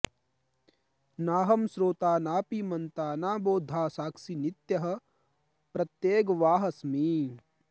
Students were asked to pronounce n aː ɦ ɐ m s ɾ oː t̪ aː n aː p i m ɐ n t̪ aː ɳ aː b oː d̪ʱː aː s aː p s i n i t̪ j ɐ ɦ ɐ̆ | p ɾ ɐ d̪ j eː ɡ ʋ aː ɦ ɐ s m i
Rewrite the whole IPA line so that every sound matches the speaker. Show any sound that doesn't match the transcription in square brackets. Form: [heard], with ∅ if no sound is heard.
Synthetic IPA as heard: n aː ɦ ɐ m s ɾ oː t̪ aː n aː p i m ɐ n t̪ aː [n] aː b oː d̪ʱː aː s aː [k] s i n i t̪ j ɐ ɦ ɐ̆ | p ɾ ɐ [t̪] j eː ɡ ʋ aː ɦ ɐ s m i